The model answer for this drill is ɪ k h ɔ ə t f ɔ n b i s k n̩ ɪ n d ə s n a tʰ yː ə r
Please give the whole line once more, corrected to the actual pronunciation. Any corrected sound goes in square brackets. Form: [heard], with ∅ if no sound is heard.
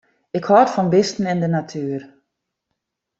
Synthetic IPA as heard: ɪ k h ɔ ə t f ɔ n b [ɪ] s [t] n̩ ɪ n d ə [∅] n a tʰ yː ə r